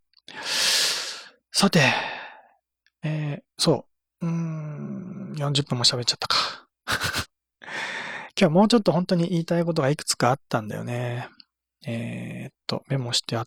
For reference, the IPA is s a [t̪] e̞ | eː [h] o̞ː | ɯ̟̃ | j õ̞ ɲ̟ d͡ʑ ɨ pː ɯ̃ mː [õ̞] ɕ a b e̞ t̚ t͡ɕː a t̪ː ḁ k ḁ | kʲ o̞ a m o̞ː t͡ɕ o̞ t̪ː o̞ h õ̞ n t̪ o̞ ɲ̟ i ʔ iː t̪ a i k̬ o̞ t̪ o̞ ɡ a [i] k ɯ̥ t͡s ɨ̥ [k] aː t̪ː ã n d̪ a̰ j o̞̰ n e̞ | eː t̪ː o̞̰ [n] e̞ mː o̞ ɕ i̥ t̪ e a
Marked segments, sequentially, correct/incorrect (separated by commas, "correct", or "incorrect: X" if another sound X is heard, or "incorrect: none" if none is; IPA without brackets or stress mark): correct, incorrect: s, incorrect: o̞, correct, correct, incorrect: m